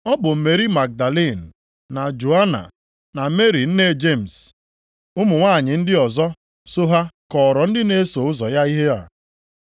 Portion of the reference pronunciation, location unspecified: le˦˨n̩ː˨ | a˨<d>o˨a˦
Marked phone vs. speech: incorrect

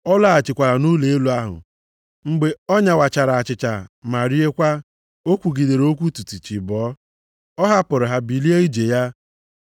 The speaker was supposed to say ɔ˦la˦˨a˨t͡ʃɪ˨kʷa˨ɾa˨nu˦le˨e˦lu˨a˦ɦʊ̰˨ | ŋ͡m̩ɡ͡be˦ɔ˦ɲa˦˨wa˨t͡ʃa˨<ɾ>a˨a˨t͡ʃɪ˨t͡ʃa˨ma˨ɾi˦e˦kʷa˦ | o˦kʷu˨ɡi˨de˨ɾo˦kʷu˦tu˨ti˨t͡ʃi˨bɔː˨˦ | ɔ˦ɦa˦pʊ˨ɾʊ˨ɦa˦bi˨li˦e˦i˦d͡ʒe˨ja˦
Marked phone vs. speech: correct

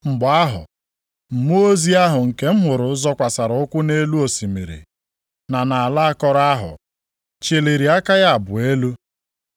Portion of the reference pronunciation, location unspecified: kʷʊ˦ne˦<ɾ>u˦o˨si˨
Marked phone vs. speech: incorrect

